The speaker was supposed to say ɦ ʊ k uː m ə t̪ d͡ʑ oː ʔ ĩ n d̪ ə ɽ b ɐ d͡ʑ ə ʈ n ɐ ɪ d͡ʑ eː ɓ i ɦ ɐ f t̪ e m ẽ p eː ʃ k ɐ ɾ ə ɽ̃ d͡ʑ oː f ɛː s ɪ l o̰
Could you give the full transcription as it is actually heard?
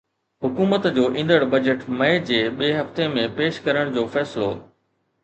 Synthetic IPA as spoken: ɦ ʊ k uː m ə t̪ d͡ʑ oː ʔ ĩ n d̪ ə ɽ b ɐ d͡ʑ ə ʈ m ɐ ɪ d͡ʑ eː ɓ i ɦ ɐ f t̪ e m ẽ p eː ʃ k ɐ ɾ ə ɽ̃ d͡ʑ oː f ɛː s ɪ l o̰